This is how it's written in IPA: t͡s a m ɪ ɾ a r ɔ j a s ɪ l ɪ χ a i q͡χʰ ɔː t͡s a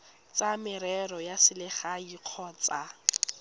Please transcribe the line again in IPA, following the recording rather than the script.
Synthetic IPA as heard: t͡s a m ɪ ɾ ɛ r ɔ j a s ɪ l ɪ χ a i q͡χʰ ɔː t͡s a